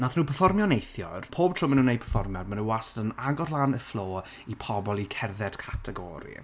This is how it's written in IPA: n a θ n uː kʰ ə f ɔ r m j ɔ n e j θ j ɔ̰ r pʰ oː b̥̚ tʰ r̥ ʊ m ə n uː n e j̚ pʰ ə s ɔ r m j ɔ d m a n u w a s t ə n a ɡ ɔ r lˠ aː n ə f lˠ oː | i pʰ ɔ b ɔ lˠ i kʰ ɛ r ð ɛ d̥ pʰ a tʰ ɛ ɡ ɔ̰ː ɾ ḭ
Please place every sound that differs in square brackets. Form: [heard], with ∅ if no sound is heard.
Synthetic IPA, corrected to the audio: n a θ n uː [pʰ] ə f ɔ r m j ɔ n e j θ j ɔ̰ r pʰ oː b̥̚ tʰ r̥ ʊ m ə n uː n e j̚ pʰ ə [f] ɔ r m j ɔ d m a n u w a s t ə n a ɡ ɔ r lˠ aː n ə f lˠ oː | i pʰ ɔ b ɔ lˠ i kʰ ɛ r ð ɛ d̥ [kʰ] a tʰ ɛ ɡ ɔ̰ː ɾ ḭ